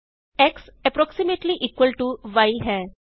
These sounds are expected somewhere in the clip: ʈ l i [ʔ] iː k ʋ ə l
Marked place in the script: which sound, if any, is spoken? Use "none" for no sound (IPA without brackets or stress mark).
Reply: ʔ